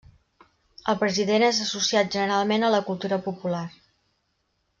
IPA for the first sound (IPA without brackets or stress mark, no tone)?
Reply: ə